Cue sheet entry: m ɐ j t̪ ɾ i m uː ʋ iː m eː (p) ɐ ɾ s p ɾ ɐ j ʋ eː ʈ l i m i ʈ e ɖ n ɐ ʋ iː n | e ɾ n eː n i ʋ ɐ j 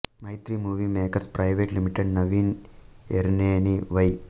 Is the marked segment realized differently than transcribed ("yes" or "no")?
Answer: yes